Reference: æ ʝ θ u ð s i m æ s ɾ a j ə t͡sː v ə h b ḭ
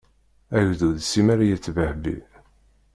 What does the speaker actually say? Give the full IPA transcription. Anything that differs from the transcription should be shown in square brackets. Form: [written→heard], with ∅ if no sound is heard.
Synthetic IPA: æ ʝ [θ→ð] u ð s i m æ [s→∅] ɾ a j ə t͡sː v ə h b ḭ